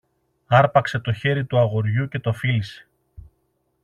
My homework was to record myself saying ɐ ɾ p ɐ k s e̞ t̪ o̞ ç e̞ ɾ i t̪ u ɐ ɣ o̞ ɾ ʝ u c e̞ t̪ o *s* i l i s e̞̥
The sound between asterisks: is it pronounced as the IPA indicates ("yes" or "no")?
no